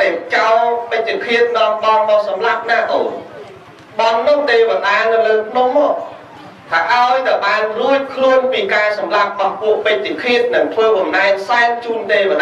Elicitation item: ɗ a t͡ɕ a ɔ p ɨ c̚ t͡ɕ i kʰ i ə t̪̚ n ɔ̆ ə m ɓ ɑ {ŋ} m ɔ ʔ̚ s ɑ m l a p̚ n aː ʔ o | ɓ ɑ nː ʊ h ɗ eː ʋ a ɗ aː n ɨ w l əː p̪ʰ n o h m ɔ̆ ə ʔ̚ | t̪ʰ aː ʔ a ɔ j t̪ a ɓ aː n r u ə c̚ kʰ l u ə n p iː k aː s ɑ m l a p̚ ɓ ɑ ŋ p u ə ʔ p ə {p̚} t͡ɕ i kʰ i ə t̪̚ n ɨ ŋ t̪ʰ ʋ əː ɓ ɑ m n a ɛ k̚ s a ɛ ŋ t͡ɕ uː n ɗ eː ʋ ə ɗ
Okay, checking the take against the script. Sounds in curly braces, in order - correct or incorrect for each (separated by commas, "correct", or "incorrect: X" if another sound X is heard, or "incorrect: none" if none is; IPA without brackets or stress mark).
correct, incorrect: c̚